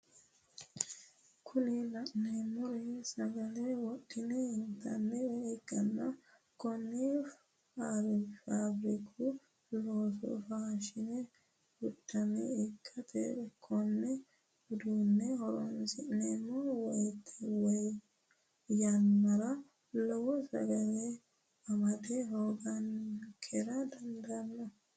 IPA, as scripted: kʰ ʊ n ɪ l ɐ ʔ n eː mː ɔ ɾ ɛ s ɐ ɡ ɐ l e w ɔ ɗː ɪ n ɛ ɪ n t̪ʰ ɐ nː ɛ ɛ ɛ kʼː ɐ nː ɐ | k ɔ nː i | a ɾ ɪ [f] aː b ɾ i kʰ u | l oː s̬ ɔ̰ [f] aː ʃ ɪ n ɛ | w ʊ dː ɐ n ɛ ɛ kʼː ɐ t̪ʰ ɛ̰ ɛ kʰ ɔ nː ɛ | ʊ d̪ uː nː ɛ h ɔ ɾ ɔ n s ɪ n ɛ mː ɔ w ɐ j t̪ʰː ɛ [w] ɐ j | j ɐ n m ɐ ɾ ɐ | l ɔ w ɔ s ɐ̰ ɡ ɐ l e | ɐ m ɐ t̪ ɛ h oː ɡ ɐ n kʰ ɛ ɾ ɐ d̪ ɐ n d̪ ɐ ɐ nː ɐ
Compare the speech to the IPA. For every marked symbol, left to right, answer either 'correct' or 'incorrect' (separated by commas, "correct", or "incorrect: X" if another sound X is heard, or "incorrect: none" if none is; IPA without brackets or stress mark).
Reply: correct, correct, correct